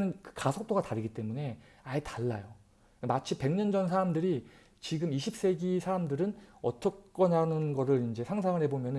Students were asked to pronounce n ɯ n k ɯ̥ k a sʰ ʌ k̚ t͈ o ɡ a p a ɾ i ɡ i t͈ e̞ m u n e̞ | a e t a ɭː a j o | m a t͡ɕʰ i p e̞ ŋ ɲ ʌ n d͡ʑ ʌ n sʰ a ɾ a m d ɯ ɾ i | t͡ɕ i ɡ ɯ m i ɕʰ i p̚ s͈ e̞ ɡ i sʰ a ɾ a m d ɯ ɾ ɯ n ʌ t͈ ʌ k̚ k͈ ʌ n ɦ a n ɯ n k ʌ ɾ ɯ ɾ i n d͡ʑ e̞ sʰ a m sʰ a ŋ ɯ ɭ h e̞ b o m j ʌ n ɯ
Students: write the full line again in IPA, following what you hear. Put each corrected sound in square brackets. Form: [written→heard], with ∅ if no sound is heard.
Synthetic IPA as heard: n ɯ n k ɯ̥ k a sʰ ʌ k̚ t͈ o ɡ a [p→t] a ɾ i ɡ i t͈ e̞ m u n e̞ | a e t a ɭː a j o | m a t͡ɕʰ i p e̞ ŋ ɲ ʌ n d͡ʑ ʌ n sʰ a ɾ a m d ɯ ɾ i | t͡ɕ i ɡ ɯ m i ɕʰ i p̚ s͈ e̞ ɡ i sʰ a ɾ a m d ɯ ɾ ɯ n ʌ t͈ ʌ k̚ k͈ ʌ n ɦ a n ɯ n [k→ɡ] ʌ ɾ ɯ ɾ i n d͡ʑ e̞ sʰ a [m→ŋ] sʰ a ŋ ɯ ɭ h e̞ b o m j ʌ n ɯ

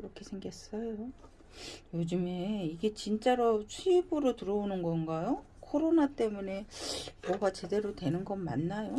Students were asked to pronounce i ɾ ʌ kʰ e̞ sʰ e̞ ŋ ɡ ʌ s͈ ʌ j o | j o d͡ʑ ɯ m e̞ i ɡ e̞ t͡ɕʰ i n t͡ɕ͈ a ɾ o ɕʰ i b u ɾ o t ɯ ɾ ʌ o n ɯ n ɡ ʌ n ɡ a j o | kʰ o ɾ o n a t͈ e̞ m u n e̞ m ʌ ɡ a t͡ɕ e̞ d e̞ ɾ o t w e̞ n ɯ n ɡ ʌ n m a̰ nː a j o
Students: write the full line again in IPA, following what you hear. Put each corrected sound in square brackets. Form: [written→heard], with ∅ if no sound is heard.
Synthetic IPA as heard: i ɾ ʌ kʰ e̞ sʰ e̞ ŋ ɡ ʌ s͈ ʌ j o | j o d͡ʑ ɯ m e̞ i ɡ e̞ [t͡ɕʰ→t͡ɕ] i n t͡ɕ͈ a ɾ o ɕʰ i b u ɾ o t ɯ ɾ ʌ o n ɯ n ɡ ʌ n ɡ a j o | kʰ o ɾ o n a t͈ e̞ m u n e̞ m ʌ ɡ a t͡ɕ e̞ d e̞ ɾ o t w e̞ n ɯ n ɡ ʌ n m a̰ nː a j o

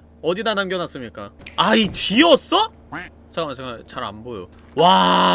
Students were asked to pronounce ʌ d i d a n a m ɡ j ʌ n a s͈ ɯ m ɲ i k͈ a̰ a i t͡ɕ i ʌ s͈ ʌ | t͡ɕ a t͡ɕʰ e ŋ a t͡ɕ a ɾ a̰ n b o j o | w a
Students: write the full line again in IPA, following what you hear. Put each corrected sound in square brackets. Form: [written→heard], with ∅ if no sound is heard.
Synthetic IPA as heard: ʌ d i d a n a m ɡ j ʌ n a s͈ ɯ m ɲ i k͈ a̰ a i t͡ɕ i ʌ s͈ ʌ | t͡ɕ a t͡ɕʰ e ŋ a t͡ɕ a ɾ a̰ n b o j o | w a

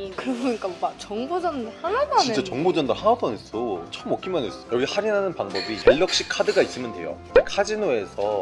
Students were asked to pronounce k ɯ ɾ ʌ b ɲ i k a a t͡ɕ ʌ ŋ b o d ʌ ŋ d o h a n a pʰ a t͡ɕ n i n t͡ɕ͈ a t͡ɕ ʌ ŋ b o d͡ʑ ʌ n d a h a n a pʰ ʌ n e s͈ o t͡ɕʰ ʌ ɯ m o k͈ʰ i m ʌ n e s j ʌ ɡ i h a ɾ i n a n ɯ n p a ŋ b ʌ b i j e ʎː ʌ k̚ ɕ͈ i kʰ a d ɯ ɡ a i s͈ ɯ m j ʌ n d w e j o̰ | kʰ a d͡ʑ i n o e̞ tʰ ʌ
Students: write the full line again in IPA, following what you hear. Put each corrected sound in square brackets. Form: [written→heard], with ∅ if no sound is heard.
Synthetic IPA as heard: k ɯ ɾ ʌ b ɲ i k a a t͡ɕ ʌ ŋ b o [d→d͡ʑ] ʌ [ŋ→n] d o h a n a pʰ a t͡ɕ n i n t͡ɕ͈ a t͡ɕ ʌ ŋ b o d͡ʑ ʌ n d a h a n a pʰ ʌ n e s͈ o t͡ɕʰ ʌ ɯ m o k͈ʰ i m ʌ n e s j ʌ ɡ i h a ɾ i n a n ɯ n p a ŋ b ʌ b i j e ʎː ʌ k̚ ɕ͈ i kʰ a d ɯ ɡ a i s͈ ɯ m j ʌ n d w e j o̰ | kʰ a d͡ʑ i n o e̞ [tʰ→sʰ] ʌ

